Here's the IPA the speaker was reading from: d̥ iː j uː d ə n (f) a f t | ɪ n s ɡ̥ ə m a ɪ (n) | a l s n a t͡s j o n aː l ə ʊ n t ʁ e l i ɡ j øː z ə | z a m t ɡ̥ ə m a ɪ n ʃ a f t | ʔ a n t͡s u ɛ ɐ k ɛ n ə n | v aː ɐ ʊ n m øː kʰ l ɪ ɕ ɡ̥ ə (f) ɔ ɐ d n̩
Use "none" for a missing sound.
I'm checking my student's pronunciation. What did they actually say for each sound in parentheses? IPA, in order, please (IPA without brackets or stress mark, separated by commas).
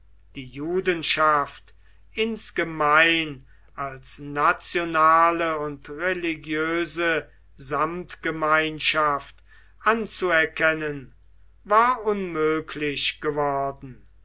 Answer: ʃ, n, v